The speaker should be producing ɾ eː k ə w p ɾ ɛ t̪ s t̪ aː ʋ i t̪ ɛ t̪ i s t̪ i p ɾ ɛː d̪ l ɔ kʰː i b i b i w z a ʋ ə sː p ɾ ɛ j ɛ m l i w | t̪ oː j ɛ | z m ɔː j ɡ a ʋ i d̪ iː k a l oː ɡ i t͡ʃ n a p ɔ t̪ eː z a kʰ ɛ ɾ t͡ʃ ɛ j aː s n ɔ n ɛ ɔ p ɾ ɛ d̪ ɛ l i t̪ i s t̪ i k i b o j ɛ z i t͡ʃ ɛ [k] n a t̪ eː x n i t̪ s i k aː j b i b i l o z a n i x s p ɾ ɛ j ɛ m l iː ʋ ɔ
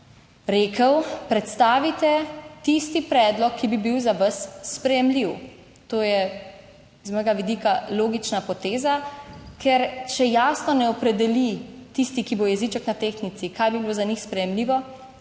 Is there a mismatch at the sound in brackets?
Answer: no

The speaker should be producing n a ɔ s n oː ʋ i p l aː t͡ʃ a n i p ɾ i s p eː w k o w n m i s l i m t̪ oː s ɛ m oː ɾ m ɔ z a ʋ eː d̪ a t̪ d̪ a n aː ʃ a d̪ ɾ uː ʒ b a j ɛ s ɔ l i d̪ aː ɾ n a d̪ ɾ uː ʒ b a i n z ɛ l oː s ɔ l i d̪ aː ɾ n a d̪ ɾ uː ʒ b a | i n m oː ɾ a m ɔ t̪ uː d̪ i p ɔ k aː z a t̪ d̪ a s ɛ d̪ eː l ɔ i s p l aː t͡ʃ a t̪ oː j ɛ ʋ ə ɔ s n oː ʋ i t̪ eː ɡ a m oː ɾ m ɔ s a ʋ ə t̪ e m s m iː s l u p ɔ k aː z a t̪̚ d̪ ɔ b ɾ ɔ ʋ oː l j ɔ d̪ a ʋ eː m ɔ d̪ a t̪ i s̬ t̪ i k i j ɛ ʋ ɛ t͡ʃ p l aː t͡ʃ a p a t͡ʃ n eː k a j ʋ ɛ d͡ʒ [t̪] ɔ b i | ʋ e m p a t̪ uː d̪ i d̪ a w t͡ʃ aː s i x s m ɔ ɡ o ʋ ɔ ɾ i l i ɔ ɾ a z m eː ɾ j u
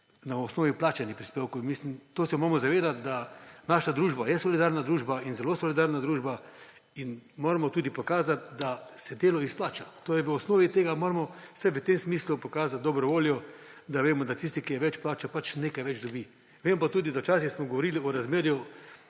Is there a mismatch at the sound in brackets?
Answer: yes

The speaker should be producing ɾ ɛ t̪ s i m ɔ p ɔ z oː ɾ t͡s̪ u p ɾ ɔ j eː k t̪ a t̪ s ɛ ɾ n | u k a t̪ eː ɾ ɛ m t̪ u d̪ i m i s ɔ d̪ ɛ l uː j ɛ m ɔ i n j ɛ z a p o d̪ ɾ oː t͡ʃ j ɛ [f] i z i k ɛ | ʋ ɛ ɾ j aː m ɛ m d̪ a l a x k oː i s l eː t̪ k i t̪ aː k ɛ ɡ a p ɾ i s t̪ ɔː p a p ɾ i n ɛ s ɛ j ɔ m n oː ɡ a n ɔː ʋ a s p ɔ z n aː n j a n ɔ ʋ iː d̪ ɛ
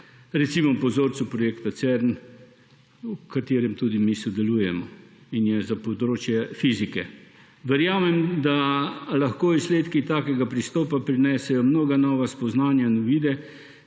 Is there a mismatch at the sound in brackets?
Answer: no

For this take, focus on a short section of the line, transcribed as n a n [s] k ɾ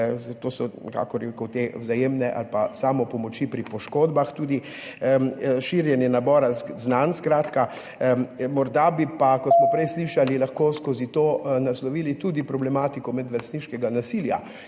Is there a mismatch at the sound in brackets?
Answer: no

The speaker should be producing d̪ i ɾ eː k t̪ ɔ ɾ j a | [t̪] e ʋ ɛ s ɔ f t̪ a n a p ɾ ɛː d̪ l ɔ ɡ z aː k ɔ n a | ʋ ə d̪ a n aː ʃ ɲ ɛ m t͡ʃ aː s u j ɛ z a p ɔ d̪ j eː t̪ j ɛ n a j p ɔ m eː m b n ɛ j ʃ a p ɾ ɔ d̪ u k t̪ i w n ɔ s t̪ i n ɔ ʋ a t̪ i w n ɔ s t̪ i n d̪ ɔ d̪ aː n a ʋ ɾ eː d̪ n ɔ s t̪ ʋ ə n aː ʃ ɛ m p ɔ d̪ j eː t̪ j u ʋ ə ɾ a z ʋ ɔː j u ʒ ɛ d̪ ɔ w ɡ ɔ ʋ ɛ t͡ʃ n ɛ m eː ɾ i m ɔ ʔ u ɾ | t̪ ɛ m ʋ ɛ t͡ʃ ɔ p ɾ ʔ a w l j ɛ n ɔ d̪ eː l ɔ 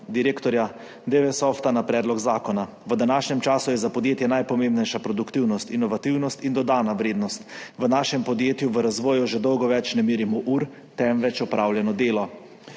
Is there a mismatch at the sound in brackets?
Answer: yes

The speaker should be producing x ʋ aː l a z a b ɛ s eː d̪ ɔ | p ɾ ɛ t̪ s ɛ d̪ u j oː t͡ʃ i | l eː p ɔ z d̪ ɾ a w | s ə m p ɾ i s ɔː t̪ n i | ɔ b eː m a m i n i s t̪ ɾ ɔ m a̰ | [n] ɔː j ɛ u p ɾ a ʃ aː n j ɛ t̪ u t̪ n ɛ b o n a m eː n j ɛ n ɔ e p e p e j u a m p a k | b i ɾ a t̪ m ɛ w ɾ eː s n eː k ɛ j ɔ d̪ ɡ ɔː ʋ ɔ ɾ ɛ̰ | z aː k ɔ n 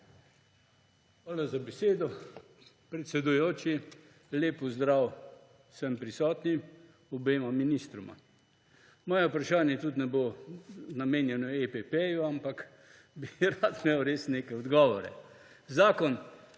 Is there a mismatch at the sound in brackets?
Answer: yes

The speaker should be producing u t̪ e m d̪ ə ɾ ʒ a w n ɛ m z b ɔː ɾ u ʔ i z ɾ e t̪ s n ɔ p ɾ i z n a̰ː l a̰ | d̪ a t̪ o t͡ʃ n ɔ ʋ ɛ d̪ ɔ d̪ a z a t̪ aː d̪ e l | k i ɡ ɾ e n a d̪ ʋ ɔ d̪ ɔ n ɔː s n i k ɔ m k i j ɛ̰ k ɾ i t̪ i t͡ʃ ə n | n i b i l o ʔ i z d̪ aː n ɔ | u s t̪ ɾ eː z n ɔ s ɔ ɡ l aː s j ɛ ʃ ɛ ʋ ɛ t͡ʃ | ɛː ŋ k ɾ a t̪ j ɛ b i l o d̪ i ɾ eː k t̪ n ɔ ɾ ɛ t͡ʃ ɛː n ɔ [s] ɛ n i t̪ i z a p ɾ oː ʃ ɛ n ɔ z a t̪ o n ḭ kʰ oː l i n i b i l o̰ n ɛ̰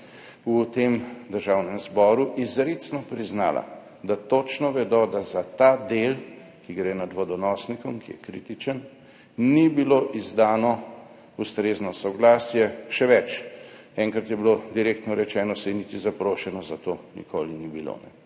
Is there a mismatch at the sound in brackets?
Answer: no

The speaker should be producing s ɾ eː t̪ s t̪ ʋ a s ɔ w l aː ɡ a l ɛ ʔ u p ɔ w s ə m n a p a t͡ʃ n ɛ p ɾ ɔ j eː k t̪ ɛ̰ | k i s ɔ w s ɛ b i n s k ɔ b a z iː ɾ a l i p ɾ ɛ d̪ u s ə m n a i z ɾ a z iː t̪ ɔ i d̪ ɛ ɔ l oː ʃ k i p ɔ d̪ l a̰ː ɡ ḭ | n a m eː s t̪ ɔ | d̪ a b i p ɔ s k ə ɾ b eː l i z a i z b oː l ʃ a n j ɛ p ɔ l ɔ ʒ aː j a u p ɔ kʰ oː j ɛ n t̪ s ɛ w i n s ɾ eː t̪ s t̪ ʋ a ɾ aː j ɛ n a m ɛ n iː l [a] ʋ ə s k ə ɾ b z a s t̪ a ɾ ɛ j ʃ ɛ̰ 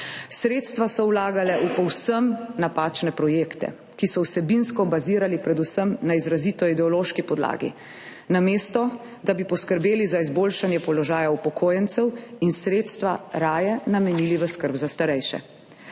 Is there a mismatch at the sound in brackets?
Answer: yes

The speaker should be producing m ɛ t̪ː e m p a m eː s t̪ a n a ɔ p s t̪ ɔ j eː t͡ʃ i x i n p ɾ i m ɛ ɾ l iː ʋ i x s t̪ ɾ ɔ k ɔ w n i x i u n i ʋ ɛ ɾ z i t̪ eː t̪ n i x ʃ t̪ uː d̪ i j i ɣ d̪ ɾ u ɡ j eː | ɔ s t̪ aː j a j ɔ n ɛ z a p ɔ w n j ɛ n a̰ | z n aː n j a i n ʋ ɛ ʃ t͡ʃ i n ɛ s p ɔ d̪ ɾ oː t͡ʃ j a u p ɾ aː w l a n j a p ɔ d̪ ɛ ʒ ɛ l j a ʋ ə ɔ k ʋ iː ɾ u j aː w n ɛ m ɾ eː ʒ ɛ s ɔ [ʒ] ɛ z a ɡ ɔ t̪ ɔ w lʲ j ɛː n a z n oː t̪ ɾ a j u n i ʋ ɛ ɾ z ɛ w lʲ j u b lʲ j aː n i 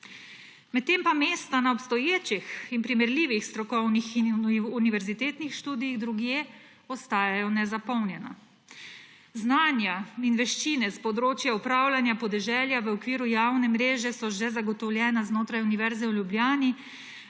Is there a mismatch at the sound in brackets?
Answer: no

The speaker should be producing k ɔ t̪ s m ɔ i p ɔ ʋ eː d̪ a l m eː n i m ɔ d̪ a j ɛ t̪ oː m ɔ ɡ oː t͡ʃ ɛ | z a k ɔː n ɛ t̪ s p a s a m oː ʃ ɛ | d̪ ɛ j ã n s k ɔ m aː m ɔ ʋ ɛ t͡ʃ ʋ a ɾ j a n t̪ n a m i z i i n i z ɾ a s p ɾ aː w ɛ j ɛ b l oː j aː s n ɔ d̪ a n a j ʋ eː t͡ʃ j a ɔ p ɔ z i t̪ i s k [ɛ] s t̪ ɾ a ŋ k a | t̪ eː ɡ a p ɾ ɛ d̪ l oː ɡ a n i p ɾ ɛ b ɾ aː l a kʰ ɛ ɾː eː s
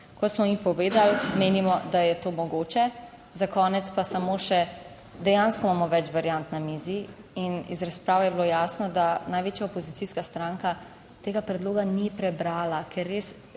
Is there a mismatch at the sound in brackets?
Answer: yes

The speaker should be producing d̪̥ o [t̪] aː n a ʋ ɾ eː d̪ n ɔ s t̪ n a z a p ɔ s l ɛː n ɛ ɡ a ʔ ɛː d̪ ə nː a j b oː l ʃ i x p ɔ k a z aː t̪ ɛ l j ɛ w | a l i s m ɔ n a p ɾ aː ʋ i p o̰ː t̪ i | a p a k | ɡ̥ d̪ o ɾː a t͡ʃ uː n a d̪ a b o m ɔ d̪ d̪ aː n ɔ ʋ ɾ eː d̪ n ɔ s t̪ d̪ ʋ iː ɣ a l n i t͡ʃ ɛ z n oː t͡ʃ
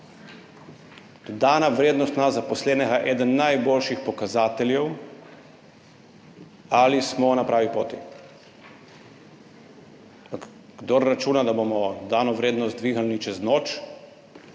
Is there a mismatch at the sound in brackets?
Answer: yes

